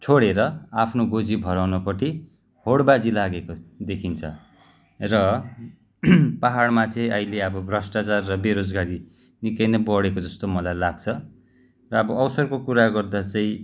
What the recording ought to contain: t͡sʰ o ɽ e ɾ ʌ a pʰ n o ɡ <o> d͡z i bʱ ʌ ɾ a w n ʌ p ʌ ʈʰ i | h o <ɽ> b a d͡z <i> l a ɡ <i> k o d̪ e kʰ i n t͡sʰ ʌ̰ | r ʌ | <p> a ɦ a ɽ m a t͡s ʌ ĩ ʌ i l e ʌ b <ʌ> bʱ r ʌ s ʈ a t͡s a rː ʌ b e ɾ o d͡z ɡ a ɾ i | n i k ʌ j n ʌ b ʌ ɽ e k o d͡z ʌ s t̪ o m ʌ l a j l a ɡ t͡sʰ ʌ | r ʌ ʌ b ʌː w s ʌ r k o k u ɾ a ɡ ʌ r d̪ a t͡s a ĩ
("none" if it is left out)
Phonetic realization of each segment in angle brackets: o, ɽ, i, e, p, ʌ

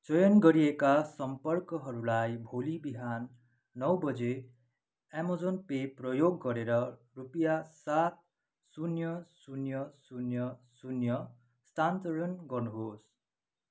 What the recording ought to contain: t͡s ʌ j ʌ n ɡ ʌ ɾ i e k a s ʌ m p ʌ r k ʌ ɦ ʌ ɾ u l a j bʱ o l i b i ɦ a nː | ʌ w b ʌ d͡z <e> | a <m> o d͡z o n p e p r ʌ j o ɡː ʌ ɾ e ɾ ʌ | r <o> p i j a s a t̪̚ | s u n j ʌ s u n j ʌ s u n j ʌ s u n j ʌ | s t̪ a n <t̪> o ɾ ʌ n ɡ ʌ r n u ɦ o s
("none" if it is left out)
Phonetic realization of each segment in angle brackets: e, m, u, t̪

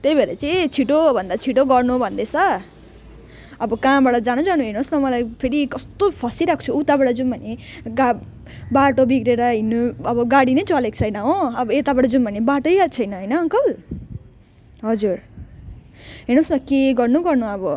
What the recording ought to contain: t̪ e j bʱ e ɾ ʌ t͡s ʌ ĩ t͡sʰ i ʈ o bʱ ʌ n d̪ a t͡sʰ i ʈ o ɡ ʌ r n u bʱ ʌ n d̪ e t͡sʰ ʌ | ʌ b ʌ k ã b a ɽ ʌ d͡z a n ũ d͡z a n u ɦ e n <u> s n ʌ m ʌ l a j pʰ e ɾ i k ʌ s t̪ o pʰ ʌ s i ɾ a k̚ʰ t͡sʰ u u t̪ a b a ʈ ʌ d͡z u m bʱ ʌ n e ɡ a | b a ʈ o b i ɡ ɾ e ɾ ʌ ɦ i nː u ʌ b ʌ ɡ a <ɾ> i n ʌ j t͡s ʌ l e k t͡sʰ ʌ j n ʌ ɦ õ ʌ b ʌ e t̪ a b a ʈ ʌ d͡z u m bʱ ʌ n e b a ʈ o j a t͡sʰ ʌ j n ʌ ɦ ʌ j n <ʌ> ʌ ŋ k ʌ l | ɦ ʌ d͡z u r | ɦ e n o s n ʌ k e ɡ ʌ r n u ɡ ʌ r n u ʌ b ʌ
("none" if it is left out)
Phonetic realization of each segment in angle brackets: o, ɽ, ʌ

